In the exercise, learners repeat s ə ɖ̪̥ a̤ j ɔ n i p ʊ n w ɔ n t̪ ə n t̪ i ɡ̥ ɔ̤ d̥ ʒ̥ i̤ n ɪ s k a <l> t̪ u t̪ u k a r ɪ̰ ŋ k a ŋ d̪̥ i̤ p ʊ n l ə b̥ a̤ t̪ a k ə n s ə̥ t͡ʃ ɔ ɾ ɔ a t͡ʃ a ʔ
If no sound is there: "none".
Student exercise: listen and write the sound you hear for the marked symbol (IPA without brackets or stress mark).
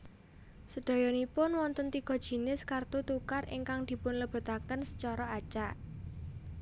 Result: r